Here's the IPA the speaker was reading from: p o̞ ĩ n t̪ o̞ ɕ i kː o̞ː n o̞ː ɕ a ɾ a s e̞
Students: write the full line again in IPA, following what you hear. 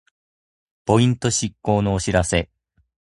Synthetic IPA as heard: p o̞ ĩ n t̪ o̞ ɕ i kː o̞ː n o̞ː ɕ i ɾ a s e̞